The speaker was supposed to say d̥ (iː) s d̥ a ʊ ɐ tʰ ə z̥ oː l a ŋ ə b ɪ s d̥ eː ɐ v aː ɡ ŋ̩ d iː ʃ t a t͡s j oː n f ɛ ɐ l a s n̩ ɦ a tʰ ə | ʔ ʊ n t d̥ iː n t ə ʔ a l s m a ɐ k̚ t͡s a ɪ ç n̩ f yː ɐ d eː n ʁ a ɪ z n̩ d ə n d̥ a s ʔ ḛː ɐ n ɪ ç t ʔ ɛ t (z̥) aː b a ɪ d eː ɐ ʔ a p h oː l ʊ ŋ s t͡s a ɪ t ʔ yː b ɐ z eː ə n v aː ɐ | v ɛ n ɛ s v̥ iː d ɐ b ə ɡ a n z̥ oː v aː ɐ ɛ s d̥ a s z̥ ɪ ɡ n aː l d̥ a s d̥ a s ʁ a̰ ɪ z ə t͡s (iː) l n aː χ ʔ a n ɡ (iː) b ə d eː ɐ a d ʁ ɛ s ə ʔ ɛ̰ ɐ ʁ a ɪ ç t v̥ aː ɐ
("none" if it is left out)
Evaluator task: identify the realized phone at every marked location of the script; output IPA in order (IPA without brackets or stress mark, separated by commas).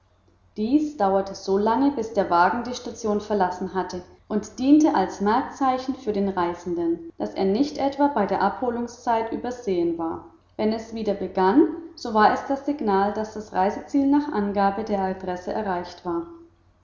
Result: iː, v̥, iː, aː